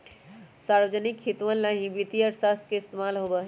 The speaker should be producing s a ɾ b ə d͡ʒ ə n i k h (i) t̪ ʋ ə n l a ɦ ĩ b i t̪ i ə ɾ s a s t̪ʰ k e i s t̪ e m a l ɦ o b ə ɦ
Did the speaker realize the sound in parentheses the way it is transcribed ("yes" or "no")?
yes